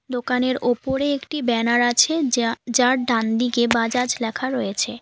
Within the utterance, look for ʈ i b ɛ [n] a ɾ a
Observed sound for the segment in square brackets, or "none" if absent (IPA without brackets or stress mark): n